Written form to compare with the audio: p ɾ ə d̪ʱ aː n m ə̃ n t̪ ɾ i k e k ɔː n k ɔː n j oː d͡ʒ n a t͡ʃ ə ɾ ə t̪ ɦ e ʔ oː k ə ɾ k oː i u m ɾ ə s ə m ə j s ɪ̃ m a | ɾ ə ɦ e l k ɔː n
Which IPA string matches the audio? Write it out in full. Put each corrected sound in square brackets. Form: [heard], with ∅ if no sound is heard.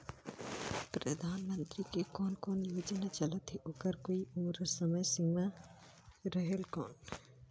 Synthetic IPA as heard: p ɾ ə d̪ʱ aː n m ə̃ n t̪ ɾ i k e k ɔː n k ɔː n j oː d͡ʒ n a t͡ʃ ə [l] ə t̪ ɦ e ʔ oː k ə ɾ k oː i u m ɾ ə s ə m ə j s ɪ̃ m a | ɾ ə ɦ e l k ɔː n